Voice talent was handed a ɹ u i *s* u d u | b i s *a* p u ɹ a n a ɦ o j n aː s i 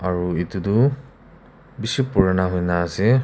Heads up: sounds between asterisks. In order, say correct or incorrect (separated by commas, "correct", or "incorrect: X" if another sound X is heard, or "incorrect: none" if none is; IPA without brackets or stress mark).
incorrect: t, incorrect: i